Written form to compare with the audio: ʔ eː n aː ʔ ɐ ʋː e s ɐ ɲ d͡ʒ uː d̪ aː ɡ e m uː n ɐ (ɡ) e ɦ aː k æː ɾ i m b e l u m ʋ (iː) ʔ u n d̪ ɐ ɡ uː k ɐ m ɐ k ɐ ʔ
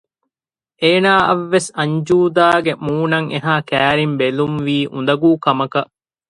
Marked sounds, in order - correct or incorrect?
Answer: incorrect, correct

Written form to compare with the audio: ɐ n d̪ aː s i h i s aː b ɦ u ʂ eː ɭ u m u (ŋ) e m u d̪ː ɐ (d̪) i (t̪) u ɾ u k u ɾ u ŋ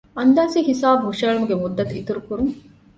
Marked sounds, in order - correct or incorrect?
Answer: incorrect, incorrect, correct

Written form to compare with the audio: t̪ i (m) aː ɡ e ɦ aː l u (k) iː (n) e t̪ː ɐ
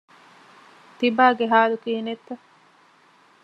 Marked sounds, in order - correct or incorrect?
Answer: incorrect, correct, correct

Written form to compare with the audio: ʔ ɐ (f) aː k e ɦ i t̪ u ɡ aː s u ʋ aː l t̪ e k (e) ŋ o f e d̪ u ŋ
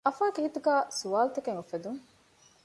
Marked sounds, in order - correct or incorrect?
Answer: correct, correct

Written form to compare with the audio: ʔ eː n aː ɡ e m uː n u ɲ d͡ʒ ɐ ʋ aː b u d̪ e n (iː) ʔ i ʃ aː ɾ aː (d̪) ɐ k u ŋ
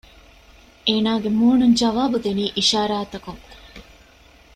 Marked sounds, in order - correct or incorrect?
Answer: correct, incorrect

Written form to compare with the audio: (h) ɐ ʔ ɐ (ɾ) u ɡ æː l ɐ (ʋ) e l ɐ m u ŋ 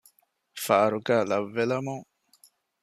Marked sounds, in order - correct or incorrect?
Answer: incorrect, correct, incorrect

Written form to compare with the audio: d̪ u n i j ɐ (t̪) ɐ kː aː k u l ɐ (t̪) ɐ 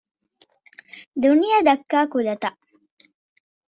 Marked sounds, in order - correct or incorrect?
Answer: incorrect, correct

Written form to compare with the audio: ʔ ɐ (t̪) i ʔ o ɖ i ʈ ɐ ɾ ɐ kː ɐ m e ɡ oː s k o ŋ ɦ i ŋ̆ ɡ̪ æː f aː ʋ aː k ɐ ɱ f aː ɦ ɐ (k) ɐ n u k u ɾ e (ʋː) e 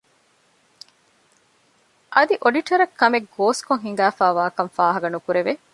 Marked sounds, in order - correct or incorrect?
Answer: incorrect, incorrect, incorrect

